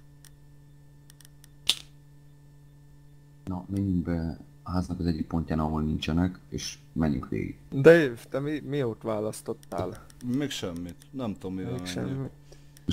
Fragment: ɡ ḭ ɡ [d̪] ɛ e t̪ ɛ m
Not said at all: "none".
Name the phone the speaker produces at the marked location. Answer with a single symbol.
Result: d̪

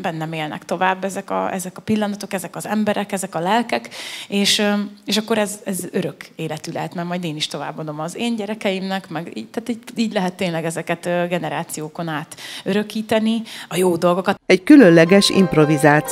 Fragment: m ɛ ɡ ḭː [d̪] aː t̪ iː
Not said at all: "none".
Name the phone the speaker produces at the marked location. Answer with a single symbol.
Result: t̪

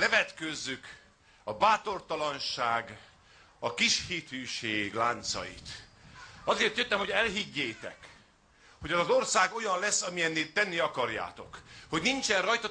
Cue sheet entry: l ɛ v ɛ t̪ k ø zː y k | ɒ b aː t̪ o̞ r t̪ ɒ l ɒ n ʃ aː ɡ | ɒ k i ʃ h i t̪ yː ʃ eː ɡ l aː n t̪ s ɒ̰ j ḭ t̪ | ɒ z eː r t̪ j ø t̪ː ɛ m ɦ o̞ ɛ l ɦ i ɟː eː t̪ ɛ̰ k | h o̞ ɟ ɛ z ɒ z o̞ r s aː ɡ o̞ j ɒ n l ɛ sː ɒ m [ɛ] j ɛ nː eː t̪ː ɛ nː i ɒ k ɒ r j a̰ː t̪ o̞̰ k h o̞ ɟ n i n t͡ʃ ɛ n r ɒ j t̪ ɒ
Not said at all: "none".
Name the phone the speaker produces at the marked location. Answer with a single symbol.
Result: i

